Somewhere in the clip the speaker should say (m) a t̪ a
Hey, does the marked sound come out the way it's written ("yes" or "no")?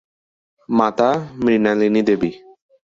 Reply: yes